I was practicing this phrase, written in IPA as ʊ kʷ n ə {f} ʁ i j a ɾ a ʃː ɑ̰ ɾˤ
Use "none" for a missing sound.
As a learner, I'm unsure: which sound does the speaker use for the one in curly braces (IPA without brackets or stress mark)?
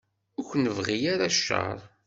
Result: v